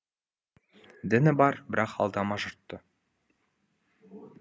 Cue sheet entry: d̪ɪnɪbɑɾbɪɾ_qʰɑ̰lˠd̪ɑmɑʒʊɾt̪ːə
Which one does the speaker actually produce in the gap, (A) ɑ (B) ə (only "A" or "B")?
A